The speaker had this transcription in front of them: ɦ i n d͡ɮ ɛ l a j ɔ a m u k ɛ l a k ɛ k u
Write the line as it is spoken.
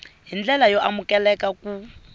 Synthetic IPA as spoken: ɦ i n d͡ɮ ɛ l a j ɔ a m u k ɛ l ɛ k a k u